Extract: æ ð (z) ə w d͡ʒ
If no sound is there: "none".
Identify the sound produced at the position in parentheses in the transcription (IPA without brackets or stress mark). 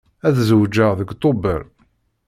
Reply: z